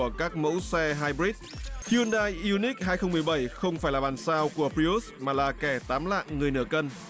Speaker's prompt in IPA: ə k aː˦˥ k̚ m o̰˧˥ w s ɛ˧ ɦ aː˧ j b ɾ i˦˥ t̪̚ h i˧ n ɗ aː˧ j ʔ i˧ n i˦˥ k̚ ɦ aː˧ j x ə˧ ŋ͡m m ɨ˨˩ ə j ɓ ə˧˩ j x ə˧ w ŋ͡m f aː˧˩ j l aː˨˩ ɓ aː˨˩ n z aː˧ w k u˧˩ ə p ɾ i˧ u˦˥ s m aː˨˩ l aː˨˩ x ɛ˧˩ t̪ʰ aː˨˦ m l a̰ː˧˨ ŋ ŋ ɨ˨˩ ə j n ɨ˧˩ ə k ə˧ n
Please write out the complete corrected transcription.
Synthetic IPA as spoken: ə k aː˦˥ k̚ m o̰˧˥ w s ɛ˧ ɦ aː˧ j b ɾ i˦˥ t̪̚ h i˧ n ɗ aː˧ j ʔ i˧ n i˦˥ k̚ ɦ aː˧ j x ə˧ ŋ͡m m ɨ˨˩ ə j ɓ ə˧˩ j x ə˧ w ŋ͡m f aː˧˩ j l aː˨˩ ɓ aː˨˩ n s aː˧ w k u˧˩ ə p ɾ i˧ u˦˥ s m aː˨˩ l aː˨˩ k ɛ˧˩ t̪ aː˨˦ m l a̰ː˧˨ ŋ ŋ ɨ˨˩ ə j n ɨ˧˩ ə k ə˧ n

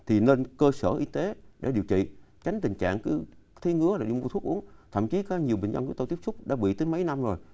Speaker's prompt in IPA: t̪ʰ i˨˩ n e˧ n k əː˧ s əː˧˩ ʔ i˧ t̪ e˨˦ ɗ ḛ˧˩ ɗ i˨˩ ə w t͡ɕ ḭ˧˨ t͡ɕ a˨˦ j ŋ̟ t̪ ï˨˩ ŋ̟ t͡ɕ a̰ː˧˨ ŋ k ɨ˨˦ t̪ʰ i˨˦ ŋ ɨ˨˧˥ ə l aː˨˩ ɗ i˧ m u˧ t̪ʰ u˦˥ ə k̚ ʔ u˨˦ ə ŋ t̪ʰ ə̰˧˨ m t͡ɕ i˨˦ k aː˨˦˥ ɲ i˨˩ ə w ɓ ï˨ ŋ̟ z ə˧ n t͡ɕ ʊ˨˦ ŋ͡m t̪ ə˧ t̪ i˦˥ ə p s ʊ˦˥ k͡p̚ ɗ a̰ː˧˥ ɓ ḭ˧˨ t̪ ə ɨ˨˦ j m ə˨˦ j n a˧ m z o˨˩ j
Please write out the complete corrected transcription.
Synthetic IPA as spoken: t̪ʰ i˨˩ n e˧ n k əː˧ s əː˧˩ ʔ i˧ t̪ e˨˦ ɗ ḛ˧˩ ɗ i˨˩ ə w t͡ɕ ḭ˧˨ t͡ɕ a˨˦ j ŋ̟ t̪ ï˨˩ ŋ̟ t͡ɕ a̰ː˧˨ ŋ k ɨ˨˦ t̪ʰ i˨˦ ŋ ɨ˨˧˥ ə l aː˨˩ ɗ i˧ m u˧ t̪ʰ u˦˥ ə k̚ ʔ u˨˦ ə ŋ t̪ʰ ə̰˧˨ m t͡ɕ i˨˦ k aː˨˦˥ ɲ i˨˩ ə w ɓ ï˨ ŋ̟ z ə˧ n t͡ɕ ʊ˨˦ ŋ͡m t̪ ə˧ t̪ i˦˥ ə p s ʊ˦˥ k͡p̚ ɗ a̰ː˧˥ ɓ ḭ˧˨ t̪ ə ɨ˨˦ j m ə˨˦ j n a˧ m z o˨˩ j

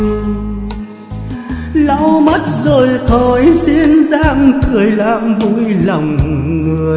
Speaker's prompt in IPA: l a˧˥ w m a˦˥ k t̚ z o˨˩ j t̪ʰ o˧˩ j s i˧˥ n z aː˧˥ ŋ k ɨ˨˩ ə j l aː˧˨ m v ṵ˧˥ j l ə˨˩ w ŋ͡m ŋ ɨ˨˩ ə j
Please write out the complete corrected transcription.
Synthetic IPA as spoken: l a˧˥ w m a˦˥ t̚ z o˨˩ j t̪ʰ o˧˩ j s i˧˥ n z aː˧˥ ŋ k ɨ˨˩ ə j l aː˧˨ m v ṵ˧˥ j l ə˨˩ w ŋ͡m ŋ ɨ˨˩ ə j

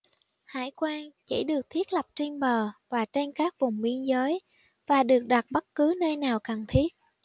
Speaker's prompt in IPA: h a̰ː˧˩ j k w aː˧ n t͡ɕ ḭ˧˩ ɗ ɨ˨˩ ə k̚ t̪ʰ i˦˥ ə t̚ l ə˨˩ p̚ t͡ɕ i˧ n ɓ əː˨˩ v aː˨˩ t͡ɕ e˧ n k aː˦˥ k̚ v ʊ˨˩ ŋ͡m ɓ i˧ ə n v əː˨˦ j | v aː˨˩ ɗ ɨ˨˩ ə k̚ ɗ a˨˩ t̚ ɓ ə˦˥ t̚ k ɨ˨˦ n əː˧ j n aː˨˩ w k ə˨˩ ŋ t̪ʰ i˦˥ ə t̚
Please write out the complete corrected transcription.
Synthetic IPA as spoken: h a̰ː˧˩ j k w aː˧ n t͡ɕ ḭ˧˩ ɗ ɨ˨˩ ə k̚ t̪ʰ i˦˥ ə t̚ l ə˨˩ p̚ t͡ɕ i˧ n ɓ əː˨˩ v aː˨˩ t͡ɕ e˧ n k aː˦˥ k̚ v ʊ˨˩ ŋ͡m ɓ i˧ ə n z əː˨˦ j | v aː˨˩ ɗ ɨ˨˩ ə k̚ ɗ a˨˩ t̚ ɓ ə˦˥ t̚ k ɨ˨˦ n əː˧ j n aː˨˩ w k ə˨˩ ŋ t̪ʰ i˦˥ ə t̚

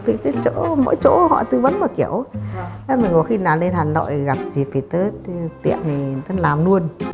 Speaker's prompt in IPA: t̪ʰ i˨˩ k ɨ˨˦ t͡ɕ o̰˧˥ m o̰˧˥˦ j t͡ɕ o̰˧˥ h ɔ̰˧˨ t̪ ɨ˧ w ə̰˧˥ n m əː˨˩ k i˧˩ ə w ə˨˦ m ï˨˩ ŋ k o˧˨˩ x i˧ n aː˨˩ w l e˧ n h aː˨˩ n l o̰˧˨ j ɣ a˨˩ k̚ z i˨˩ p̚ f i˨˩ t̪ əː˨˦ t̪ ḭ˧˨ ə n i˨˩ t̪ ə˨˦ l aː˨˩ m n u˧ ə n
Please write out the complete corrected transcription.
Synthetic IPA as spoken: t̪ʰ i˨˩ k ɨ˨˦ t͡ɕ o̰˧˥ m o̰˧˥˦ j t͡ɕ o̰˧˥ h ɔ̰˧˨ t̪ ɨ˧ v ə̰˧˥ n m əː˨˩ k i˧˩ ə w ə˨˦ m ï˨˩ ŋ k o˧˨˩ x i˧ n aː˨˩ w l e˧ n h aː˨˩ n l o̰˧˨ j ɣ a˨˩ p̚ z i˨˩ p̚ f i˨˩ t̪ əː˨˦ t̪ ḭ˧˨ ə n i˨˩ t̪ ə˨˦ l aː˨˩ m n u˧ ə n

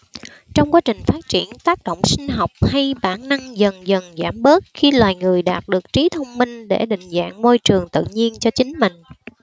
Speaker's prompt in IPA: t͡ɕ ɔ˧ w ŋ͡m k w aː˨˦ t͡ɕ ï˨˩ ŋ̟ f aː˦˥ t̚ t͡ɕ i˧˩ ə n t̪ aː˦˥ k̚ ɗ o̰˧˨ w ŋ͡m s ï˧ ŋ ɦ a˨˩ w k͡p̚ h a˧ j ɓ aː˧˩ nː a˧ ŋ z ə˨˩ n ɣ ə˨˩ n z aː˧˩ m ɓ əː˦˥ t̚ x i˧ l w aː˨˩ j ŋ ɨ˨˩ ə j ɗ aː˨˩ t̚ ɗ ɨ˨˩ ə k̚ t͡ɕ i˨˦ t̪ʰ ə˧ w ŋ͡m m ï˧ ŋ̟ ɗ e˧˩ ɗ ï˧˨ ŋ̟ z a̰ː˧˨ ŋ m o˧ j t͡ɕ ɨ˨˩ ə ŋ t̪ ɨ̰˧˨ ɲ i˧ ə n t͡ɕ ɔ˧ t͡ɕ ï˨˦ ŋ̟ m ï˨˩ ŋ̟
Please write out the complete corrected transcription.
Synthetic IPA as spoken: t͡ɕ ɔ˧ w ŋ͡m k w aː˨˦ t͡ɕ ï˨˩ ŋ̟ f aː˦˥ t̚ t͡ɕ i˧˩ ə n t̪ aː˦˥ k̚ ɗ o̰˧˨ w ŋ͡m s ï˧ ŋ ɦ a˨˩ w k͡p̚ h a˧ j ɓ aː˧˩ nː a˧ ŋ z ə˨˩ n z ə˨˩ n z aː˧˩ m ɓ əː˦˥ t̚ x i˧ l w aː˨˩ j ŋ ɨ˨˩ ə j ɗ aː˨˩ t̚ ɗ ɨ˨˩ ə k̚ t͡ɕ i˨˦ t̪ʰ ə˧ w ŋ͡m m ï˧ ŋ̟ ɗ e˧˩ ɗ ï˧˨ ŋ̟ z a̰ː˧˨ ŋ m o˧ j t͡ɕ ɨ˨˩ ə ŋ t̪ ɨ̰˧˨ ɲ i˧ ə n t͡ɕ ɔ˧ t͡ɕ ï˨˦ ŋ̟ m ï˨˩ ŋ̟

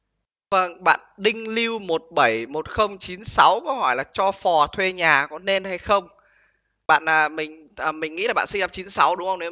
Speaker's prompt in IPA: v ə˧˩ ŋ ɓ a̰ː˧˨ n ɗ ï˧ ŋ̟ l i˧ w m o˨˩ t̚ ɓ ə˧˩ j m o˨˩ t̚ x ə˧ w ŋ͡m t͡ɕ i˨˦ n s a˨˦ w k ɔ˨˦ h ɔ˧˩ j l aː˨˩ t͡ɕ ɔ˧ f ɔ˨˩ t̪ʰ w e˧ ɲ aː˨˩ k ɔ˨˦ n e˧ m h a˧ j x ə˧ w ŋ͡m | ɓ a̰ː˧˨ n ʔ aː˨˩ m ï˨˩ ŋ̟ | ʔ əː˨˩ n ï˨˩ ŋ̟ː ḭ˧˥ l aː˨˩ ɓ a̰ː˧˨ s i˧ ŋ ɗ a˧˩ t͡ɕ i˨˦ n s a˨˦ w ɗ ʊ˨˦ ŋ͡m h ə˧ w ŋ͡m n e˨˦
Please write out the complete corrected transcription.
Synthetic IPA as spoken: v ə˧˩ ŋ ɓ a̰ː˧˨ n ɗ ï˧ ŋ̟ l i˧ w m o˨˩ t̚ ɓ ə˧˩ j m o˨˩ t̚ x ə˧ w ŋ͡m t͡ɕ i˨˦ n s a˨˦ w k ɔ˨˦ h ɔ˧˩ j l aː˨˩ t͡ɕ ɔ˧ f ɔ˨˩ t̪ʰ w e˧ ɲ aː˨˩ k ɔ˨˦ n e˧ n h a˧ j x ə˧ w ŋ͡m | ɓ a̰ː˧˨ n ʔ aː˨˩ m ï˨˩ ŋ̟ | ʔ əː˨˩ m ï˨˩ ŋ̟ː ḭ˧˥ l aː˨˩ ɓ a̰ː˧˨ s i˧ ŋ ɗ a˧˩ t͡ɕ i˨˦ n s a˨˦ w ɗ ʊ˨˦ ŋ͡m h ə˧ w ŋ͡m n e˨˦

